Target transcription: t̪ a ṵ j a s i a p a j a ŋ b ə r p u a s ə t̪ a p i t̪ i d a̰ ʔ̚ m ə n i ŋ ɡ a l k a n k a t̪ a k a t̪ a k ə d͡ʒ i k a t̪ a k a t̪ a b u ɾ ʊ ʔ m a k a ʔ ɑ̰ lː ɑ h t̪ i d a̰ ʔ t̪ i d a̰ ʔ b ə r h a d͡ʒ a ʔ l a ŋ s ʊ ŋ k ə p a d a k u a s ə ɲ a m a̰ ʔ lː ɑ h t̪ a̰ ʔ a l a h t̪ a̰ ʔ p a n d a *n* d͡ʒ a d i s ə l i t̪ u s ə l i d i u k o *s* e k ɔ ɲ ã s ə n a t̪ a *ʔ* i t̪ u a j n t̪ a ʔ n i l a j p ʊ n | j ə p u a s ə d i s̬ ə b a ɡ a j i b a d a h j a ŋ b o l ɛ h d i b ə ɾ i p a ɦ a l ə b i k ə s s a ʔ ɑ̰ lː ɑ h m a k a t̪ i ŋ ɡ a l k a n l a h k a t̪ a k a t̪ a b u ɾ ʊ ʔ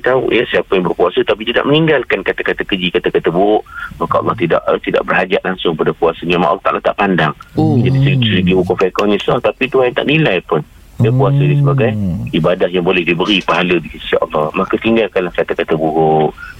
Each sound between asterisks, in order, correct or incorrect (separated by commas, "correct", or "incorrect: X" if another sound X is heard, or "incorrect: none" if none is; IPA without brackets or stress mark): incorrect: ŋ, incorrect: f, incorrect: p